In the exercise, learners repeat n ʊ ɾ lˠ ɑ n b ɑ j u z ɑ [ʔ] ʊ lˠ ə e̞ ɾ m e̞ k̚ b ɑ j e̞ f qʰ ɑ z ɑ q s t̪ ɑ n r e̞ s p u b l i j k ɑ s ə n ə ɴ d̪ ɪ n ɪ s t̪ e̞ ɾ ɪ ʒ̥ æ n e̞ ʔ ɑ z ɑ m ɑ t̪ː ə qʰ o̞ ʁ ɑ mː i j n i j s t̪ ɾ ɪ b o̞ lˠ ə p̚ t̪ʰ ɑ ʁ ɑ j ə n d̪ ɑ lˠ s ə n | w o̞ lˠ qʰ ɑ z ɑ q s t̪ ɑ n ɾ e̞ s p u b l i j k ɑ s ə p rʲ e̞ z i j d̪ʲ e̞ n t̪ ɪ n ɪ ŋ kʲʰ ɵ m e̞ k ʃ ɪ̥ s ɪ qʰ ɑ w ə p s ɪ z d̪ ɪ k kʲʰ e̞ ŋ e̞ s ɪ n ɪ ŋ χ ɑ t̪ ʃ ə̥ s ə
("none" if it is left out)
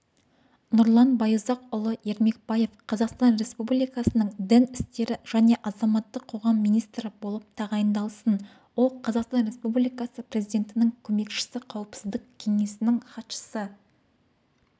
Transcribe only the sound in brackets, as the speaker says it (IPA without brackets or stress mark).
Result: q